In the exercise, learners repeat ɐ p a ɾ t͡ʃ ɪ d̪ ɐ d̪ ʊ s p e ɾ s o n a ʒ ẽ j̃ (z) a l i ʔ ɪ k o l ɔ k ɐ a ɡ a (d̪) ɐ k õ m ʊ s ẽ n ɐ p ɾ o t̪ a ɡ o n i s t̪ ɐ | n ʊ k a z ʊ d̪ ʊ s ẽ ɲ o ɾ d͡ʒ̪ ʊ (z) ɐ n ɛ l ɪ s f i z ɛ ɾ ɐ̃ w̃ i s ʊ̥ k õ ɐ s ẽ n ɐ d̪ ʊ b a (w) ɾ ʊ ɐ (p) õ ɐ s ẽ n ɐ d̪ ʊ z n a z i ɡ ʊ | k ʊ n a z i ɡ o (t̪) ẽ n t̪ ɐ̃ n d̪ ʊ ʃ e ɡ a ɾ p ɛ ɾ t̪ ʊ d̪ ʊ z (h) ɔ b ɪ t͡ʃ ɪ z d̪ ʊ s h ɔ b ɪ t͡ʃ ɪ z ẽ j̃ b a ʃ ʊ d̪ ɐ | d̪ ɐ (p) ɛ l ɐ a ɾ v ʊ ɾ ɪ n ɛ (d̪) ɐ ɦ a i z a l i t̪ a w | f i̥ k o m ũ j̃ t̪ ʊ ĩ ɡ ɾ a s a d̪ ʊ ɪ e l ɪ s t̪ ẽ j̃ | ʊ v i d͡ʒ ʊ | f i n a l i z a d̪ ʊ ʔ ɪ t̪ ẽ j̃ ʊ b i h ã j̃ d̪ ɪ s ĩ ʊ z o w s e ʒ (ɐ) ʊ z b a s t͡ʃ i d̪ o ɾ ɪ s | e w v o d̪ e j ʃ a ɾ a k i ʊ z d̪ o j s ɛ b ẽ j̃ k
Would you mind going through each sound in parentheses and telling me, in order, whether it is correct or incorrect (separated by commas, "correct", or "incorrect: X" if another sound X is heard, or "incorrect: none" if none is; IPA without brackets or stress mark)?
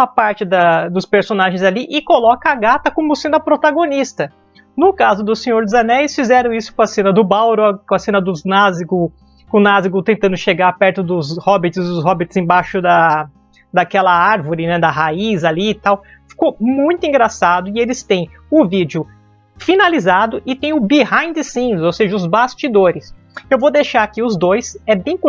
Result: correct, incorrect: t̪, correct, correct, incorrect: k, correct, correct, incorrect: k, correct, correct